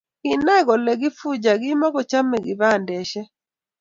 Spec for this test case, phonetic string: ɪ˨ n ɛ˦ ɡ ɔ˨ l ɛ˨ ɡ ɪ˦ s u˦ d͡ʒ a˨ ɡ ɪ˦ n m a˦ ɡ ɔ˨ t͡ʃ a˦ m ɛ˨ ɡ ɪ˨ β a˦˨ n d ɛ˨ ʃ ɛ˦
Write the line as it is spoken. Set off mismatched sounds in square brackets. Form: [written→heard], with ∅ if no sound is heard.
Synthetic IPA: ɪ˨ n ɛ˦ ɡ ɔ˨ l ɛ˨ ɡ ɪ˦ [s→f] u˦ d͡ʒ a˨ ɡ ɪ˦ [n→∅] m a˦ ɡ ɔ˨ t͡ʃ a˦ m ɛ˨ ɡ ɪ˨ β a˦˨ n d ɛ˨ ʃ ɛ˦